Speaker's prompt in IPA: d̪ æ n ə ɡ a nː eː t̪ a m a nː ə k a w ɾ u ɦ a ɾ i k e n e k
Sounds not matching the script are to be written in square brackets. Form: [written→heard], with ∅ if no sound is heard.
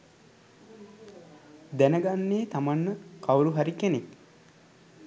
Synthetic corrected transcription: d̪ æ n ə ɡ a nː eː t̪ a m a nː ə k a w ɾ u ɦ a ɾ i k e n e k

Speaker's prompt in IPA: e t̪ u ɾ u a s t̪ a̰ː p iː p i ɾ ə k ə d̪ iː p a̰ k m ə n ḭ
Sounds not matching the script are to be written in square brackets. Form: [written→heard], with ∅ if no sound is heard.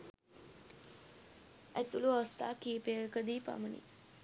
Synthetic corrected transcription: [e→æ] t̪ u [ɾ→l] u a s t̪ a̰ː [p→k] iː p [i→e] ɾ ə k ə d̪ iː p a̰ [k→∅] m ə n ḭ

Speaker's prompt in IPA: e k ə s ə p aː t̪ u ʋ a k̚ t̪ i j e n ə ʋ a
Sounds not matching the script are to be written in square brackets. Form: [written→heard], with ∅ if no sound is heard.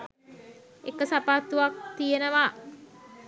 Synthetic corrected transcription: e k ə s [ə→a] p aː t̪ u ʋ a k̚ t̪ i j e n ə ʋ a

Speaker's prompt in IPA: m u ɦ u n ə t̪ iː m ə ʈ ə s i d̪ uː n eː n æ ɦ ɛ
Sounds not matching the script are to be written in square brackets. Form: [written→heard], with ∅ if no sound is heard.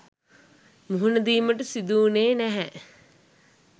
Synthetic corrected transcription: m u ɦ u n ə [t̪→d̪] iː m ə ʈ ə s i d̪ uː n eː n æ ɦ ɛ

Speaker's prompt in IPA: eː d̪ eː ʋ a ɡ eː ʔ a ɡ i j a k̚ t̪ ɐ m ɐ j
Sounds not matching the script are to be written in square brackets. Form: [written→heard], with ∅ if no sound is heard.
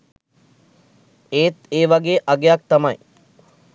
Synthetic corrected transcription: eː [d̪→t̪] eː ʋ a ɡ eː ʔ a ɡ [i→e] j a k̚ t̪ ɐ m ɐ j

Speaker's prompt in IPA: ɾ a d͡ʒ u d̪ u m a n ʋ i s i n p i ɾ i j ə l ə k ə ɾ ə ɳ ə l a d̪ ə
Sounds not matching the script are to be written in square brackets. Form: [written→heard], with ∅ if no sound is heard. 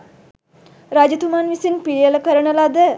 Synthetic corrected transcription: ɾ a d͡ʒ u [d̪→t̪] u m a n ʋ i s i n p i ɾ i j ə l ə k ə ɾ ə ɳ ə l a d̪ ə

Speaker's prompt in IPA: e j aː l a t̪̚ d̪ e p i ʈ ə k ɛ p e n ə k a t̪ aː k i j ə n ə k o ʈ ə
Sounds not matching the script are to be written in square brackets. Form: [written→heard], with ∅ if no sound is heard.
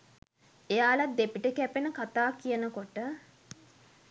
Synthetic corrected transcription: e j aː l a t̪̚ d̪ e p i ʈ ə k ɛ p e n ə k a t̪ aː k i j ə n ə k o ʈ ə

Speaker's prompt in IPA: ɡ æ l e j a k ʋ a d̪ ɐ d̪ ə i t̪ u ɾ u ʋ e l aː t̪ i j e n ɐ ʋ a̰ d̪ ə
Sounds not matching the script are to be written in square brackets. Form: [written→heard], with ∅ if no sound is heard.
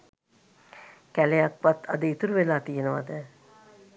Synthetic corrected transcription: [ɡ→k] æ l e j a k ʋ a [d̪→t̪] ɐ d̪ ə i t̪ u ɾ u ʋ e l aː t̪ i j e n [ɐ→ə] ʋ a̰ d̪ ə

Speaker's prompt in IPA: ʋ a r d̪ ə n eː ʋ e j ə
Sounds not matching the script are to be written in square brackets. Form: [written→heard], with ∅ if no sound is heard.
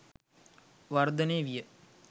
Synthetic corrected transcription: ʋ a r d̪ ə n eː ʋ [e→i] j ə

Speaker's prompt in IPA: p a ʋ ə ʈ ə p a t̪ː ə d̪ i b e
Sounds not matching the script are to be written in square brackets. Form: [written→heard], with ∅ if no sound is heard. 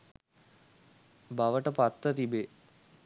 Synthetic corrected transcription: [p→b] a ʋ ə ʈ ə p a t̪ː ə [d̪→t̪] i b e

